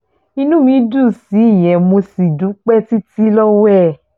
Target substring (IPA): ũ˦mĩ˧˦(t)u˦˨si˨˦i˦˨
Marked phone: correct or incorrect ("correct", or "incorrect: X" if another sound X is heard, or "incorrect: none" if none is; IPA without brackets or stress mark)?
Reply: incorrect: d